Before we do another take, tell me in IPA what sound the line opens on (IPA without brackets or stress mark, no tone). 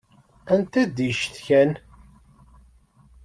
æ